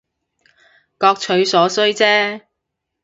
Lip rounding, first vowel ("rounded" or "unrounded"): rounded